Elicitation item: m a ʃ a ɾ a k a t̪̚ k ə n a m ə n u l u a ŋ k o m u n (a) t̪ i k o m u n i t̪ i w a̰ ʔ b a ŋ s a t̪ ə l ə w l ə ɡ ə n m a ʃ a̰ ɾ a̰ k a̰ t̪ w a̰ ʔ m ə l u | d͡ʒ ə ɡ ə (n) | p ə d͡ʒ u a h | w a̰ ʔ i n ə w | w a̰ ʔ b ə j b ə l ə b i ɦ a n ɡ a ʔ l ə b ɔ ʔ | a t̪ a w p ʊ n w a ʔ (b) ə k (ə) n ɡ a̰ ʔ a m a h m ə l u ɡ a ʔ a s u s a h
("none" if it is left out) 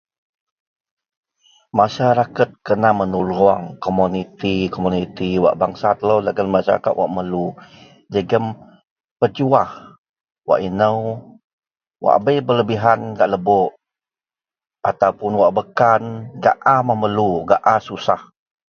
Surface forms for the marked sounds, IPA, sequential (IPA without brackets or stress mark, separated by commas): i, m, b, a